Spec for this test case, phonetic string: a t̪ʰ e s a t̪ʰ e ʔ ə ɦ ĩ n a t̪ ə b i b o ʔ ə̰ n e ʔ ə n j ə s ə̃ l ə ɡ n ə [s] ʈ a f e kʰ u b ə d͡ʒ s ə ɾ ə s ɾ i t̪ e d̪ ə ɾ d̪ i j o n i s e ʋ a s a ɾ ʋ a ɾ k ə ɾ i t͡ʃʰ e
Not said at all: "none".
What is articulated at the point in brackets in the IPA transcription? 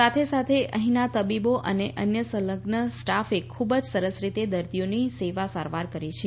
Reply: s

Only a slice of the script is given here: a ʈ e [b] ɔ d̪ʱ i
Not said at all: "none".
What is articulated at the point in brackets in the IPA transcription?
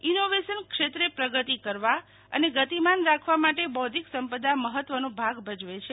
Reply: b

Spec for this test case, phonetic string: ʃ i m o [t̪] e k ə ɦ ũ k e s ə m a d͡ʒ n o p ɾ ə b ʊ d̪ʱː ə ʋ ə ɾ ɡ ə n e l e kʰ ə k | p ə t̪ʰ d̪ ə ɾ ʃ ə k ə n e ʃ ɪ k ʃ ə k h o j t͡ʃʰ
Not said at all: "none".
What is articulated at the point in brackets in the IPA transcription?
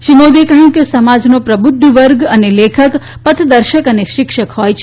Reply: d̪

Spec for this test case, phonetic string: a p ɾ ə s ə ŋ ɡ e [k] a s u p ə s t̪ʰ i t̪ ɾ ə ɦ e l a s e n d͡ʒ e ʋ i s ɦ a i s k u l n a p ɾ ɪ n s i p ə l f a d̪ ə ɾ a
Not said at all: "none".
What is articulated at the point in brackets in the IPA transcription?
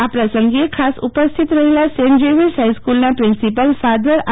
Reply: kʰ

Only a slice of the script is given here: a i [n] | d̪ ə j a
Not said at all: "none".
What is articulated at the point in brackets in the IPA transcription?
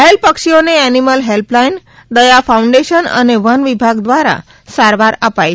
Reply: n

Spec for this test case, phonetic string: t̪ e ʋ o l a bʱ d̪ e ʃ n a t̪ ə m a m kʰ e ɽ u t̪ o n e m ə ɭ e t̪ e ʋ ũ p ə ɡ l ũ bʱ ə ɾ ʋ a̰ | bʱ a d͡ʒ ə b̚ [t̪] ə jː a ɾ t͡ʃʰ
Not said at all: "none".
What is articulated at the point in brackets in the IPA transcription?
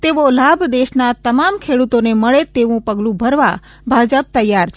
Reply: t̪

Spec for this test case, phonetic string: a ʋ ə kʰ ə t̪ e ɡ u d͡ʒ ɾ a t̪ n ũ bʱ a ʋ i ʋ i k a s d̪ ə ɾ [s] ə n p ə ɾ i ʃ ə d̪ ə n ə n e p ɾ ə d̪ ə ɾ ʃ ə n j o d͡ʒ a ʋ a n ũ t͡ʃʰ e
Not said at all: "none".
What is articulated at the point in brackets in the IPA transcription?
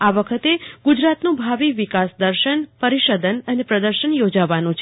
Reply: ʃ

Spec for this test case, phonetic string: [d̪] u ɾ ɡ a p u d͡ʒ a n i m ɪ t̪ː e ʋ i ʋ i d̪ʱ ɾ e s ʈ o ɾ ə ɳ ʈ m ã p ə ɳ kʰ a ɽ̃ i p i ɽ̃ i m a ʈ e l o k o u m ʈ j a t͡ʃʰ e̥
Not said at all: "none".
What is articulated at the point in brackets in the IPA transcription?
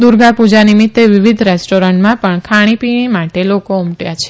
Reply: d̪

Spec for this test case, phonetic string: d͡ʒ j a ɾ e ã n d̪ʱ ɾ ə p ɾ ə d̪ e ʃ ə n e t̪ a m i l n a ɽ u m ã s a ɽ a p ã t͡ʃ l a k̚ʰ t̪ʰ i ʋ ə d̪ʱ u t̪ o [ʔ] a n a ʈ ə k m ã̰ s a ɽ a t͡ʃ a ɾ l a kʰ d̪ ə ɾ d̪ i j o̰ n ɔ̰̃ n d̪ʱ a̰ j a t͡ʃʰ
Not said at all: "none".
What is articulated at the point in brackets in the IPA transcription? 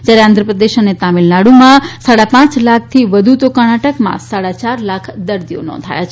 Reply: k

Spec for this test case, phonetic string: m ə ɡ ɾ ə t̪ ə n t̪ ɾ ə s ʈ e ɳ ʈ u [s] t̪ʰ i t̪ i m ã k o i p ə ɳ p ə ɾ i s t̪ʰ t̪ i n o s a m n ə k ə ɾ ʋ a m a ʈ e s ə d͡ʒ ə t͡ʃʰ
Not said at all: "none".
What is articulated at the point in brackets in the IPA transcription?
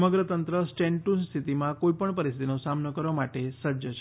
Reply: s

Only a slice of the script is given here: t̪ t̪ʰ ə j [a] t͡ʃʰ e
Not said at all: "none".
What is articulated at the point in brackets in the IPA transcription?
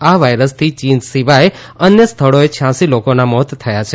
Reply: a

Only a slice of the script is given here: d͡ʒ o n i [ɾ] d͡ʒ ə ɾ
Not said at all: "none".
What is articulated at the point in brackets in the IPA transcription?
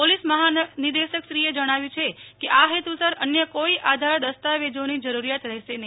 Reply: none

